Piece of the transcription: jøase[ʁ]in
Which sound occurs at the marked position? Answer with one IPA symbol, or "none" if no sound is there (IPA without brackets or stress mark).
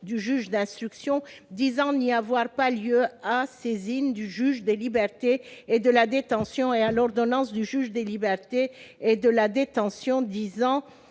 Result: z